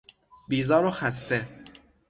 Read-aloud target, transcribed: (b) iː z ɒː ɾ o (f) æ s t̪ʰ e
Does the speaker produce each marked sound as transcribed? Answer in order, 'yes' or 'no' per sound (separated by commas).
yes, no